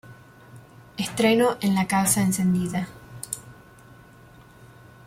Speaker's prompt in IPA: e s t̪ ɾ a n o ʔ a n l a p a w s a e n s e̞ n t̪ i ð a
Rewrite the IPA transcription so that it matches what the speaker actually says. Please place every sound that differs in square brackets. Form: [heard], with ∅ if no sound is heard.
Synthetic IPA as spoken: e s t̪ ɾ [e] n o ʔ [e] n l a [k] a w s a e n s e̞ n [d̪] i ð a